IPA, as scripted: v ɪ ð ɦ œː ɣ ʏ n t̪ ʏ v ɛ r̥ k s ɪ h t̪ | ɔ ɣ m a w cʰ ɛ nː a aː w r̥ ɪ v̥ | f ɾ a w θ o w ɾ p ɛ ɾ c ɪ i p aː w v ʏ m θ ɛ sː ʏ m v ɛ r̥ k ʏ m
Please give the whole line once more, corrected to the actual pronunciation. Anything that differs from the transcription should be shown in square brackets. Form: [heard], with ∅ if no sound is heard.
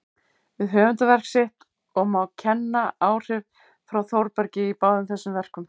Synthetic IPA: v ɪ ð ɦ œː [v] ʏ n t̪ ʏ v ɛ r̥ k s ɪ h t̪ | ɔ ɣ m a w cʰ ɛ nː a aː w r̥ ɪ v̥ | f ɾ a w θ o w ɾ p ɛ ɾ c ɪ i p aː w [ð] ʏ m θ ɛ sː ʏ m v ɛ r̥ k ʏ m